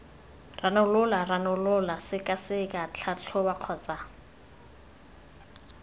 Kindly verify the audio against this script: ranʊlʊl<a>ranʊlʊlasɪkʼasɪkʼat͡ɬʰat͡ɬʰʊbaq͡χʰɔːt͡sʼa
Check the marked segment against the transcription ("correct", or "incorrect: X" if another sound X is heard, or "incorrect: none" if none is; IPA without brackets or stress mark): correct